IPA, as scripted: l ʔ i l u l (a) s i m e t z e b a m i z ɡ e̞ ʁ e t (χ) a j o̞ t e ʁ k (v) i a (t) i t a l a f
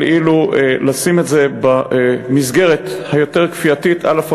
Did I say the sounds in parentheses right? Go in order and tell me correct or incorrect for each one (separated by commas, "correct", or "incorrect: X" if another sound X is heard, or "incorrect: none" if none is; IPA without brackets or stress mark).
correct, incorrect: h, incorrect: f, correct